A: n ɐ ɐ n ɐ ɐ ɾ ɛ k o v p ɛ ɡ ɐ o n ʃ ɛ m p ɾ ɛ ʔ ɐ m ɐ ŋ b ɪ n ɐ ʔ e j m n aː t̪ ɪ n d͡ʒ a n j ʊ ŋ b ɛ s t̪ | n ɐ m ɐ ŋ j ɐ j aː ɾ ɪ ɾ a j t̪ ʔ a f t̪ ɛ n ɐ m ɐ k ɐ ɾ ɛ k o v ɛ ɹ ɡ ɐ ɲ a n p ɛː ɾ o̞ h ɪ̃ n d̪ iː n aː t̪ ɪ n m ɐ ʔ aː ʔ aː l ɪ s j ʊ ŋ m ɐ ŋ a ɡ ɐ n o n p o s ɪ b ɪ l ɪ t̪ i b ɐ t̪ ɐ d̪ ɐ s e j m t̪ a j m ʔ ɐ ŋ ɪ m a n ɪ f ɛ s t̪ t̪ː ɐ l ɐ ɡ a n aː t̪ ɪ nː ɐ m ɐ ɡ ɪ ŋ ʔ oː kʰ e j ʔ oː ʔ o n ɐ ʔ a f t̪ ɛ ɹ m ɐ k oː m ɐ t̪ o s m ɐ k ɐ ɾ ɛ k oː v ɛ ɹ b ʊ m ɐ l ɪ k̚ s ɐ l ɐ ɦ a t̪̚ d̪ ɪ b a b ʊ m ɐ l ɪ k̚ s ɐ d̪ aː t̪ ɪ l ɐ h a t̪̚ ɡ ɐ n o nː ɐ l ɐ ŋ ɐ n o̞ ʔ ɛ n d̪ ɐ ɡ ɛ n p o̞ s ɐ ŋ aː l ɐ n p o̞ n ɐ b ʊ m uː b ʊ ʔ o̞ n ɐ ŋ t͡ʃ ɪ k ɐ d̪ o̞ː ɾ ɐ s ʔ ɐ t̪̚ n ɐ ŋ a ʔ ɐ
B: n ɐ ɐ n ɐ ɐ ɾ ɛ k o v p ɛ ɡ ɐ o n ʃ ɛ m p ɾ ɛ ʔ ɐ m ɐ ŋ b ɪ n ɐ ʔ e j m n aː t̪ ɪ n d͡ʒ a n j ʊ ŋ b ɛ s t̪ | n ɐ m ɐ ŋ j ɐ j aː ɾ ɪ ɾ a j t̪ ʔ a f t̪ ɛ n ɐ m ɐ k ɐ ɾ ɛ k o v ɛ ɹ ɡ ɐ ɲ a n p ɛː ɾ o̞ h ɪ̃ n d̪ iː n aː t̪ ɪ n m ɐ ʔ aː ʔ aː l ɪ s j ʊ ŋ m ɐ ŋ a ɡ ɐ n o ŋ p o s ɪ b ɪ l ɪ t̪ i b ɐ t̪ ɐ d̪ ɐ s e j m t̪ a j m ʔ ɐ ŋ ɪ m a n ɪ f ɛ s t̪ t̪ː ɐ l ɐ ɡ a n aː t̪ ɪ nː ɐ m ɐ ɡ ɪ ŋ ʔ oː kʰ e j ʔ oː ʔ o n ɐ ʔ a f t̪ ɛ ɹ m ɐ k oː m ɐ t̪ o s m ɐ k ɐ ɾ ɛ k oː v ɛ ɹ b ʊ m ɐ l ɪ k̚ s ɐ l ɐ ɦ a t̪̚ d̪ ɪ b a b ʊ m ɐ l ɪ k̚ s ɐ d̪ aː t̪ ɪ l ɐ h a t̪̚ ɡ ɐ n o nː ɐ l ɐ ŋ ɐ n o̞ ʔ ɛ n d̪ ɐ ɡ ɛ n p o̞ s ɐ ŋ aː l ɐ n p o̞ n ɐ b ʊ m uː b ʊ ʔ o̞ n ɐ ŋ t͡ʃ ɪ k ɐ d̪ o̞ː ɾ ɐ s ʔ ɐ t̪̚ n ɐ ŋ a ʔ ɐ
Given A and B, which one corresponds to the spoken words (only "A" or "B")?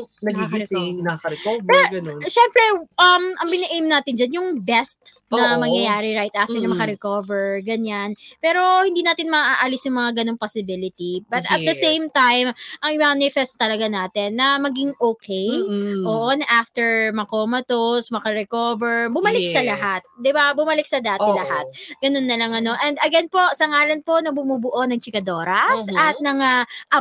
B